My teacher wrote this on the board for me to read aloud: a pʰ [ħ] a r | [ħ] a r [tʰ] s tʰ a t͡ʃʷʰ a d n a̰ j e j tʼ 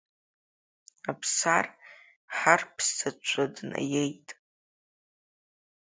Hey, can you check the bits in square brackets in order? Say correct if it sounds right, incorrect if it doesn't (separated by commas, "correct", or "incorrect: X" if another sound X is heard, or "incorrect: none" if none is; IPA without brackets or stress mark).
incorrect: s, correct, incorrect: pʰ